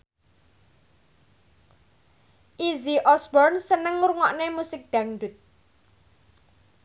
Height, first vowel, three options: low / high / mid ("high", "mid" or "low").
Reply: high